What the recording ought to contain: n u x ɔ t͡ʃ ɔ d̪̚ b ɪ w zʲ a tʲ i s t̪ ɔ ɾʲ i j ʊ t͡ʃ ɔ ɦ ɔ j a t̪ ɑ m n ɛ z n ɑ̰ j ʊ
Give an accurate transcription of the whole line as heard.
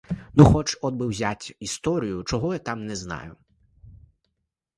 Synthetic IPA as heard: n u x ɔ t͡ʃ ɔ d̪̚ b ɪ w zʲ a tʲ i s t̪ ɔ ɾʲ i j ʊ t͡ʃ ɔ ɦ ɔ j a t̪ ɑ m n ɛ z n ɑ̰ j ʊ